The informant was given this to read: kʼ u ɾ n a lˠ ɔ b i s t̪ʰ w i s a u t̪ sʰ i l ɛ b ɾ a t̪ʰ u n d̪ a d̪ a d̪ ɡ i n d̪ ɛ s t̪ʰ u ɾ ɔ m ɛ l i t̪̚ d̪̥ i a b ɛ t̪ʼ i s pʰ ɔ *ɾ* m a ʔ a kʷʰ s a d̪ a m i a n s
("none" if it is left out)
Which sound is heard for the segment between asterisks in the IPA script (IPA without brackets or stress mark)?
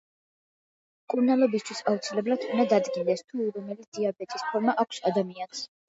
ɾ